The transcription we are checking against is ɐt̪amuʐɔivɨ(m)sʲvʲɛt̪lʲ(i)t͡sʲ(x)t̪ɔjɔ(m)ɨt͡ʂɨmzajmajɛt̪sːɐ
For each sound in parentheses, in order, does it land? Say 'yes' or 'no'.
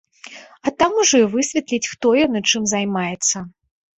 no, yes, yes, no

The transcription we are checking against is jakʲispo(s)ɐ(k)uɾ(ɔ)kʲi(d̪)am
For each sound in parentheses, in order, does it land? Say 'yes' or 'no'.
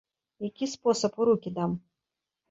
yes, no, no, yes

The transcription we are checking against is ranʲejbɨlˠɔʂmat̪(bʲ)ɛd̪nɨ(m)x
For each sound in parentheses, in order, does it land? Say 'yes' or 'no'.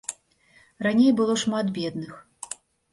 yes, no

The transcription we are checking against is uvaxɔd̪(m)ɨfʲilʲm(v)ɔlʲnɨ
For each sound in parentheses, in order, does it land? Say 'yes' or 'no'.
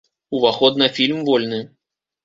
no, yes

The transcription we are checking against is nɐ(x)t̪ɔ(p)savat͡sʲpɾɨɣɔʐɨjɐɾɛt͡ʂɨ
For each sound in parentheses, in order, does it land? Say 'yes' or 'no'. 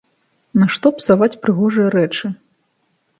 no, yes

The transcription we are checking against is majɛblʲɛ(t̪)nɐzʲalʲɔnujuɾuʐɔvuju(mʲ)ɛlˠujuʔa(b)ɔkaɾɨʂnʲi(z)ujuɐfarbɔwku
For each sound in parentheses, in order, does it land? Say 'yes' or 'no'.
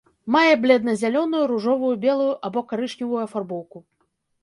no, no, yes, no

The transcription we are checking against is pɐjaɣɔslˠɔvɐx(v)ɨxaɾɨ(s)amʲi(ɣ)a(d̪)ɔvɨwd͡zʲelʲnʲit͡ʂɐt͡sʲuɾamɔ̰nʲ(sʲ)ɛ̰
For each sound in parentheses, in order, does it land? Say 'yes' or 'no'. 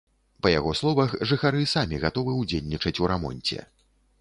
no, yes, yes, no, no

